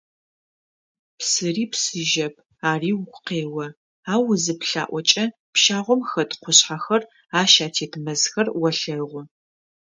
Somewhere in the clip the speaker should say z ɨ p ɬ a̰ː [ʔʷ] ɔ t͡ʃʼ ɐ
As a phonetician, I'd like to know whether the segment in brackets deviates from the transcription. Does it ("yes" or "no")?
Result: no